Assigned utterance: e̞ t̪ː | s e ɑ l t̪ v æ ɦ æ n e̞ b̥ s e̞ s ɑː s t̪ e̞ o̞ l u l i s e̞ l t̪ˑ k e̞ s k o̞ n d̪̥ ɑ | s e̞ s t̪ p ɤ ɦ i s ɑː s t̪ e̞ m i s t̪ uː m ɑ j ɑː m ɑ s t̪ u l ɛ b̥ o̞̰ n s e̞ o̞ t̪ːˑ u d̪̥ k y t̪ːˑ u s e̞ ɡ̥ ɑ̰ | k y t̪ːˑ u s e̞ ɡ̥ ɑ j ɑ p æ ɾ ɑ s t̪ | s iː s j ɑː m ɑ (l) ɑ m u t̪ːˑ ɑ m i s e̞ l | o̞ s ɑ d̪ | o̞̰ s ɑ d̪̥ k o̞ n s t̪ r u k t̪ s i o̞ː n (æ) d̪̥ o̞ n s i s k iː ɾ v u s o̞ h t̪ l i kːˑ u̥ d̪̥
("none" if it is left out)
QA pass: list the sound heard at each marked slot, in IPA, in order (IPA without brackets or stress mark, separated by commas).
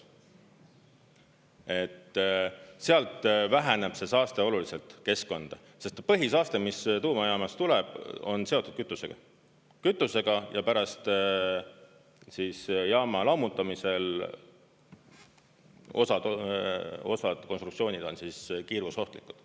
l, i